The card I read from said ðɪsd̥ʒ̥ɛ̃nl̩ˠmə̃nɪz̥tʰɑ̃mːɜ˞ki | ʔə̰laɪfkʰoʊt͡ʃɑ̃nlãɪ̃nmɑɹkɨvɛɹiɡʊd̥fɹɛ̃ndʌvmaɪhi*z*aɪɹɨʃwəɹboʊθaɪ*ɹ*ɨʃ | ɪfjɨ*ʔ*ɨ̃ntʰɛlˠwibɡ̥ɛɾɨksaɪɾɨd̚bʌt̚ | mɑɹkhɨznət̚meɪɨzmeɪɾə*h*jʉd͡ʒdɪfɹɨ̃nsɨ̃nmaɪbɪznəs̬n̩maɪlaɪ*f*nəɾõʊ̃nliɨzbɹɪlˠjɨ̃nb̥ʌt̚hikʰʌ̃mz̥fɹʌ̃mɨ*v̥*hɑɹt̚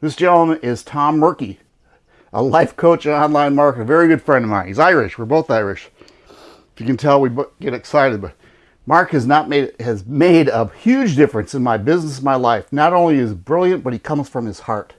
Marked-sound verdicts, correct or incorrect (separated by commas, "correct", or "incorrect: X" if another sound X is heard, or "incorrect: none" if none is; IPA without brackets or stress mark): correct, correct, incorrect: k, correct, correct, incorrect: z̥